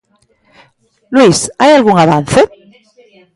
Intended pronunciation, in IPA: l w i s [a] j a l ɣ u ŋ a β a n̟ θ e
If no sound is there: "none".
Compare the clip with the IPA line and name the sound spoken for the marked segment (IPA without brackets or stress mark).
a